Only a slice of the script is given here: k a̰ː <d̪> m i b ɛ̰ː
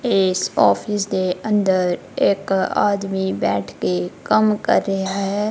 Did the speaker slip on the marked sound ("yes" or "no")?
no